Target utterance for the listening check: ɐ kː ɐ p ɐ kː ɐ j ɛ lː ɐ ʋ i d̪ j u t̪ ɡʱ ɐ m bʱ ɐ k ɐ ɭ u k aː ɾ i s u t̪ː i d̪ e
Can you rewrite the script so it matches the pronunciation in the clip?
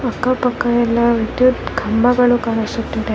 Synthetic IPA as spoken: ɐ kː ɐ p ɐ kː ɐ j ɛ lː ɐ ʋ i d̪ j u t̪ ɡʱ ɐ m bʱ ɐ ɡ ɐ ɭ u k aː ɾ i s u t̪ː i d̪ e